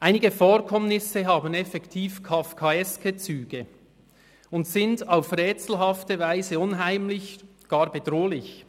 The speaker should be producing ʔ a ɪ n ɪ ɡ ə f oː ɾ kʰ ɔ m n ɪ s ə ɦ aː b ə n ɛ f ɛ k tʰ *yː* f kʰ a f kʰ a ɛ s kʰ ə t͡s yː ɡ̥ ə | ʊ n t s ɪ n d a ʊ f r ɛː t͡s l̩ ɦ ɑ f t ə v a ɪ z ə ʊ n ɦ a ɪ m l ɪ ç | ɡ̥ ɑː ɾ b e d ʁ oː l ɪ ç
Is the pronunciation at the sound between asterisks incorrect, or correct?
incorrect: iː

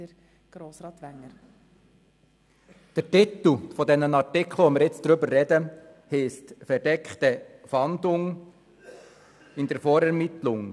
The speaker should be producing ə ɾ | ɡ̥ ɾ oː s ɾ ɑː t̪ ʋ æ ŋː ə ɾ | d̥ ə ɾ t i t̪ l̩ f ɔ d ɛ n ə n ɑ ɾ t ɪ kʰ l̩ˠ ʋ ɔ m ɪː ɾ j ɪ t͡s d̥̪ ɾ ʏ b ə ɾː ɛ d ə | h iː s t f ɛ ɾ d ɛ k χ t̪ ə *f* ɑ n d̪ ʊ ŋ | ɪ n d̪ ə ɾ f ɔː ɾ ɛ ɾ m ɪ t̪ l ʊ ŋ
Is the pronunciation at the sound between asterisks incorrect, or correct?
correct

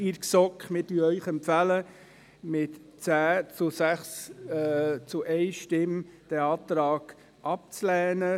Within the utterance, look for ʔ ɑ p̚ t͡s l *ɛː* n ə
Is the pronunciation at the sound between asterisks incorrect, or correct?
correct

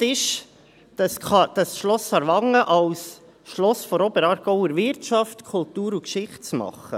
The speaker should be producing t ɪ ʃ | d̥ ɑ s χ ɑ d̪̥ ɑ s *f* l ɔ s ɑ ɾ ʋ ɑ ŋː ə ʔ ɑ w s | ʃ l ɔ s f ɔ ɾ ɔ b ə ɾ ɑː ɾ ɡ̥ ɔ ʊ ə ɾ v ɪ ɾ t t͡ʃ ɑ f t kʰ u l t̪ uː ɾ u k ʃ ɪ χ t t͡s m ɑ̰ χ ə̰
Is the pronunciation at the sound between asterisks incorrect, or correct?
incorrect: ʃ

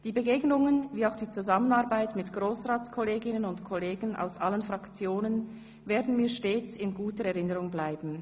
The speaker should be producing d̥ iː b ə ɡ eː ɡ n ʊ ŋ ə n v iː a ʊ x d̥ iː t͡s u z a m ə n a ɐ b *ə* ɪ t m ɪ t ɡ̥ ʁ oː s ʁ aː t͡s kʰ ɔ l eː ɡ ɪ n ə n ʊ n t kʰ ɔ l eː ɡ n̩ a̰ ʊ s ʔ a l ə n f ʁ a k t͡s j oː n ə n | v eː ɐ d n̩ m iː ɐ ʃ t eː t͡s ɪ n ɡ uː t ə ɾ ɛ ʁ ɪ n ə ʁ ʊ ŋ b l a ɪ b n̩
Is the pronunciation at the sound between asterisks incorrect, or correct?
incorrect: a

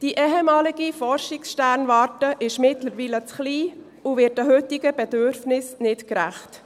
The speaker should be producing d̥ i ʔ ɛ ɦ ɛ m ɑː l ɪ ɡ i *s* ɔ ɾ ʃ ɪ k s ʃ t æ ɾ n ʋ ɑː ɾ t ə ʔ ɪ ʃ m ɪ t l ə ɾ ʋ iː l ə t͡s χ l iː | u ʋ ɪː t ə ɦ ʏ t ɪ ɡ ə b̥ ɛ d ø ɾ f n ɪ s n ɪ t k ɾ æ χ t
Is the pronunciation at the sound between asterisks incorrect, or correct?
incorrect: f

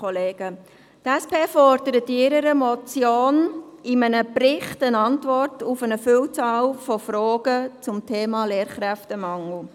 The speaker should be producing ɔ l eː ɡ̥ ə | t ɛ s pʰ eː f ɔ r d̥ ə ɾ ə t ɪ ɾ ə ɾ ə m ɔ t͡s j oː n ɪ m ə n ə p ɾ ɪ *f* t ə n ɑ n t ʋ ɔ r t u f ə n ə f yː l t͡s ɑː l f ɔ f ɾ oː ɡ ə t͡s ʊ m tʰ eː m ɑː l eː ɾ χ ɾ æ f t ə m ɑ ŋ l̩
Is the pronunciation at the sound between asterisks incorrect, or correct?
incorrect: χ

